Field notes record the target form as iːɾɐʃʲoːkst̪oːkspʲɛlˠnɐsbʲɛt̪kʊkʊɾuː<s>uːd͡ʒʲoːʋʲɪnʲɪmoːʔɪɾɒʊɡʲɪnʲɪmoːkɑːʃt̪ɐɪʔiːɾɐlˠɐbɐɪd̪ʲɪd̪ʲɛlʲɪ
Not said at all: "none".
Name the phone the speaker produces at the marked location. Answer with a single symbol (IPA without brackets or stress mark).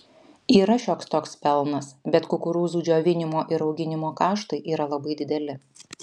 z